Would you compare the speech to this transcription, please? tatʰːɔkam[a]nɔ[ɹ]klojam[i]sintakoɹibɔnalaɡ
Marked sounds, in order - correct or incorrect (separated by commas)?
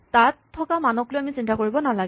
correct, incorrect, correct